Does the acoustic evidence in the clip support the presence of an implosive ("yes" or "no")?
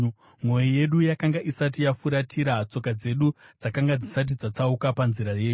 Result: yes